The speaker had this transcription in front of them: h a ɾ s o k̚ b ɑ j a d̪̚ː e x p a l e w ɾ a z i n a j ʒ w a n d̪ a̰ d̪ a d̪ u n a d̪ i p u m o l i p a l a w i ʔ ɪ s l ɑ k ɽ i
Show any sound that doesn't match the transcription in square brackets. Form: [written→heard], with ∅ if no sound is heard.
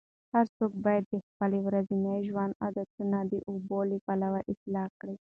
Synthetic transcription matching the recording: h a ɾ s o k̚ b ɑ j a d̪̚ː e x p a l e w ɾ a z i n a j ʒ w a n d̪ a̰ d̪ a [d̪→t̪] u n a d̪ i [p→ʔ] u [m→b] o l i p a l a w [i→a] ʔ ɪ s l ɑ k ɽ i